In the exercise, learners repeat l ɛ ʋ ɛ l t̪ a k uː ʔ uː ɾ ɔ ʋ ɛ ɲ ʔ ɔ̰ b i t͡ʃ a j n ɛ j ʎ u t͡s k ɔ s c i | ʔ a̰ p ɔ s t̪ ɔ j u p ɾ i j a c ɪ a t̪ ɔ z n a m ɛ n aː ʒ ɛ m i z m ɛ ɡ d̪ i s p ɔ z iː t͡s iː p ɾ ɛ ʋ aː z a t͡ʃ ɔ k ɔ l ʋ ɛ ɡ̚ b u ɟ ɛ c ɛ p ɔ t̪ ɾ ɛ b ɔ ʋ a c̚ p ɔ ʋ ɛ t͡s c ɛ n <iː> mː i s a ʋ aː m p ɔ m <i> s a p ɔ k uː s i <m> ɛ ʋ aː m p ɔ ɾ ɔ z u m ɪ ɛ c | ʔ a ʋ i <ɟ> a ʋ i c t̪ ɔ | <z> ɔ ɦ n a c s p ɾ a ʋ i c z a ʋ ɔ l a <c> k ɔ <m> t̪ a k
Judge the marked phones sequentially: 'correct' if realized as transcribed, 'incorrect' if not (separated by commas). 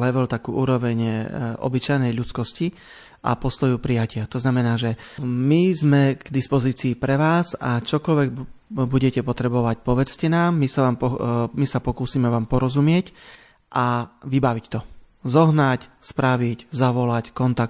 incorrect, correct, correct, incorrect, correct, correct, incorrect